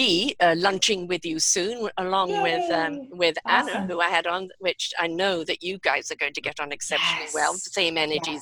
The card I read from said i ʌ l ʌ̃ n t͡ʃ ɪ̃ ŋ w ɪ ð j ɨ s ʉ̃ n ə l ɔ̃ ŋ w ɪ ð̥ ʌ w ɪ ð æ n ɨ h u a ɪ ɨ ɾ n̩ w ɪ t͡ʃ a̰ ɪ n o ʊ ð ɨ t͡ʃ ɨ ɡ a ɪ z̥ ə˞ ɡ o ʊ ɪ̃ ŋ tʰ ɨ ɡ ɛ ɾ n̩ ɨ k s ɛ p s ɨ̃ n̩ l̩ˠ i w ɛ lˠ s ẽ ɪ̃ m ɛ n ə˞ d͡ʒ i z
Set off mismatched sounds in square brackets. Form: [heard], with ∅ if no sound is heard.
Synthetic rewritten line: i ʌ l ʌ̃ n t͡ʃ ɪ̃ ŋ w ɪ ð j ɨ s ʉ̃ n ə l ɔ̃ ŋ w ɪ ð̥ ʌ w ɪ ð æ n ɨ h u a ɪ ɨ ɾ n̩ w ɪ t͡ʃ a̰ ɪ n o ʊ ð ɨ t͡ʃ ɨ ɡ a ɪ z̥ ə˞ ɡ o ʊ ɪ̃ ŋ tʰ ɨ ɡ ɛ ɾ n̩ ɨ k s ɛ p [ʃ] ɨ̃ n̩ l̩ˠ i w ɛ lˠ s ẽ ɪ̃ m ɛ n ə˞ d͡ʒ i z